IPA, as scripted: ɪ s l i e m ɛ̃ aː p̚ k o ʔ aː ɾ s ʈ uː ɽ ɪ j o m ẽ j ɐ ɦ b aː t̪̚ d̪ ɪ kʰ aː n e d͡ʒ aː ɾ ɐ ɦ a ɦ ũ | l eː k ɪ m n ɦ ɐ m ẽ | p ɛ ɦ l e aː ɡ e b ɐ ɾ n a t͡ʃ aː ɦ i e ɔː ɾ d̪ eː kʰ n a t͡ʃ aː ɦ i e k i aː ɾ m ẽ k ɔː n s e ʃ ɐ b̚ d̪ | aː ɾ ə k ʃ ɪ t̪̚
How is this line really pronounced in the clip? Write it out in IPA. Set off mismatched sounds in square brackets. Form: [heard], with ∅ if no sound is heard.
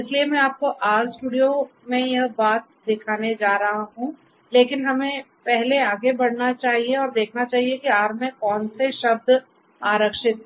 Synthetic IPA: ɪ s l i e m ɛ̃ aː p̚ k o ʔ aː ɾ s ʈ uː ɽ [i] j o m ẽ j ɐ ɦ b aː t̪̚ d̪ ɪ kʰ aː n e d͡ʒ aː ɾ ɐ ɦ a ɦ ũ | l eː k ɪ [∅] n ɦ ɐ m ẽ | p ɛ ɦ l e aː ɡ e b ɐ [ɽ] n a t͡ʃ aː ɦ i e ɔː ɾ d̪ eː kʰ n a t͡ʃ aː ɦ i e k i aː ɾ m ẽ k ɔː n s e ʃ ɐ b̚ d̪ | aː ɾ ə k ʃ ɪ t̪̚